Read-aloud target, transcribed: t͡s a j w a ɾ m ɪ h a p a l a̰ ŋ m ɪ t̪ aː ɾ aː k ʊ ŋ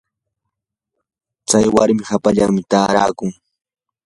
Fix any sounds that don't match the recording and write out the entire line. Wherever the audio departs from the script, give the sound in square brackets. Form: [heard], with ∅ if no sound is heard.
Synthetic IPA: t͡s a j w a ɾ m ɪ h a p a [ʎ] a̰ ŋ m ɪ t̪ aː ɾ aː k ʊ ŋ

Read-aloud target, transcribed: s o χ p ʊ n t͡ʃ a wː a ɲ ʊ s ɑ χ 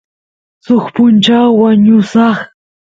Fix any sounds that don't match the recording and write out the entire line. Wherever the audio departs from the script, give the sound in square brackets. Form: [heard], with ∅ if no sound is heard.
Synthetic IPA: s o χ p ʊ n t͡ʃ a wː a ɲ ʊ s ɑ χ

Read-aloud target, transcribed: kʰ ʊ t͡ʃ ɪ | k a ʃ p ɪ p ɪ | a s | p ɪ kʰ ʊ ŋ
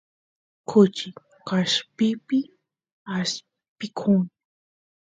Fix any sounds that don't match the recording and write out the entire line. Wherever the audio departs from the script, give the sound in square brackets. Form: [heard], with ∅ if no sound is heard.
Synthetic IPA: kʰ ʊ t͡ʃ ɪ | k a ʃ p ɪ p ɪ | a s | p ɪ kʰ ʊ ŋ

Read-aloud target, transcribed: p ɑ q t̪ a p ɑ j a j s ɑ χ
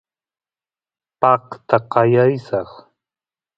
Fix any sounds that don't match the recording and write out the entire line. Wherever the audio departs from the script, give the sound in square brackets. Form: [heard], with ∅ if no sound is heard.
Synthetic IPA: p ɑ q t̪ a [q] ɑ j a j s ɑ χ

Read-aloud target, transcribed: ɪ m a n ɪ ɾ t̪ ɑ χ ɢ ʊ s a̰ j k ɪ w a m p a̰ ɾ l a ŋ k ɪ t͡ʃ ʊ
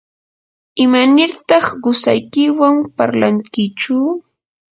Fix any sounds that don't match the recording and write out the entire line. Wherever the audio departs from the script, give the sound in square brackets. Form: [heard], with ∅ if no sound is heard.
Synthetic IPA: ɪ m a n ɪ ɾ t̪ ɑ χ ɢ ʊ s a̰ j k ɪ w a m p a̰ ɾ l a ŋ k ɪ t͡ʃ ʊ

